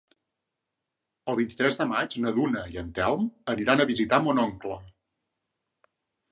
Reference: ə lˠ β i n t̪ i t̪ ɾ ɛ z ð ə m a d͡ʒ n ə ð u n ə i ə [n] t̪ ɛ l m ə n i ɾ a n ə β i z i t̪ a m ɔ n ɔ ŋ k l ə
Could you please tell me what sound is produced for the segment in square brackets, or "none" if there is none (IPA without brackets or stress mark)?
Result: n